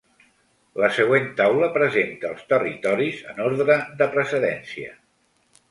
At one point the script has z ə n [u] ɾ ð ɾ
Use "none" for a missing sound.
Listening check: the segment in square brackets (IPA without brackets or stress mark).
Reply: o